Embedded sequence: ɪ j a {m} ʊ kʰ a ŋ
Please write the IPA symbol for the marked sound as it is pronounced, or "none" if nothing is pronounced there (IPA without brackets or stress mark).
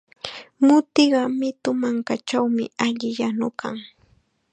n